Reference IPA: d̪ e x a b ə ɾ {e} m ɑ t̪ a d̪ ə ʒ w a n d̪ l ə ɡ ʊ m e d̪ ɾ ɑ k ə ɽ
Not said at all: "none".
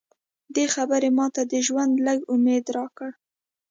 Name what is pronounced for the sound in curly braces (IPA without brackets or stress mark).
e